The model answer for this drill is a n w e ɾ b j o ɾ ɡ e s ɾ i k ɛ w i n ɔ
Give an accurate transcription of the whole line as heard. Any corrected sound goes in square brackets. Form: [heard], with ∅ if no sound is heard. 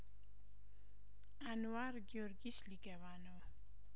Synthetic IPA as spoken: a n w [a] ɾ [ɡ] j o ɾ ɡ [i] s [l] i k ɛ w [a] n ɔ